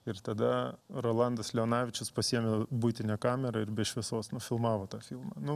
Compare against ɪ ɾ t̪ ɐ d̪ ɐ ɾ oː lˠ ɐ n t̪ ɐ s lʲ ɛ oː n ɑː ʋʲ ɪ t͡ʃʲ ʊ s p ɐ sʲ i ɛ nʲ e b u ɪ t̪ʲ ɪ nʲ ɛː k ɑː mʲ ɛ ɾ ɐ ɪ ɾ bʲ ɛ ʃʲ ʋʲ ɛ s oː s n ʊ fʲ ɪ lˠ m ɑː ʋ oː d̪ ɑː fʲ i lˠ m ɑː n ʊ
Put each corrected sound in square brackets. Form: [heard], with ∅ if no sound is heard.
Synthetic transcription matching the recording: ɪ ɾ t̪ ɐ d̪ ɐ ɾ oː lˠ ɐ n [d̪] ɐ s lʲ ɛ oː n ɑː ʋʲ ɪ t͡ʃʲ ʊ s p ɐ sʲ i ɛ [mʲ] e b u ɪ t̪ʲ ɪ nʲ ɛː k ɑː mʲ ɛ ɾ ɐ ɪ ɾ bʲ ɛ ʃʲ ʋʲ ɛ s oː s n ʊ fʲ ɪ lˠ m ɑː ʋ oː [t̪] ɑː fʲ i lˠ m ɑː n ʊ